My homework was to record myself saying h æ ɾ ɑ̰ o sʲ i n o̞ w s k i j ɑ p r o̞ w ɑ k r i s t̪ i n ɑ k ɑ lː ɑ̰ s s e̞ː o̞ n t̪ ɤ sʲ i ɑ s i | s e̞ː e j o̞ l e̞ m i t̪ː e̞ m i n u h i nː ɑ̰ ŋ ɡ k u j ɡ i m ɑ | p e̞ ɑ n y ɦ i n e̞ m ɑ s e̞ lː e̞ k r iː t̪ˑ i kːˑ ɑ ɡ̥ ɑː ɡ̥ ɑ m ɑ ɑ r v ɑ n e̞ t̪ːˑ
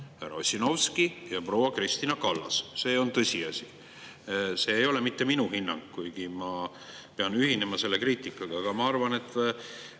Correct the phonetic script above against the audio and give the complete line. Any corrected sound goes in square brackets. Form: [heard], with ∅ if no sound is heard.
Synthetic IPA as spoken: h æ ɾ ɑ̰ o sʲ i n o̞ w s k i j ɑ p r o̞ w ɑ k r i s t̪ i n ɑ k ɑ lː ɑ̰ s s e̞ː o̞ n t̪ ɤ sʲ i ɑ s i | s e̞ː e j o̞ l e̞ m i t̪ː e̞ m i n u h i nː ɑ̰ ŋ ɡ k u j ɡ i m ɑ | p e̞ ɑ n y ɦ i n e̞ m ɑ s e̞ lː e̞ k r iː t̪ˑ i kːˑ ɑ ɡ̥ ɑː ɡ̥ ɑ m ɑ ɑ r v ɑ n e̞ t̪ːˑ